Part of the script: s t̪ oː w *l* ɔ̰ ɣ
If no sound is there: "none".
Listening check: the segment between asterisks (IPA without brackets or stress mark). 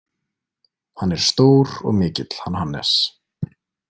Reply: ɾ